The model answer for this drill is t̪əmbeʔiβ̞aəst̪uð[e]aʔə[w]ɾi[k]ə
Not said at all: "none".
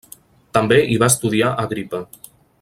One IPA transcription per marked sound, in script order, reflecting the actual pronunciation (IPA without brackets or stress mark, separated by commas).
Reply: i, ɣ, p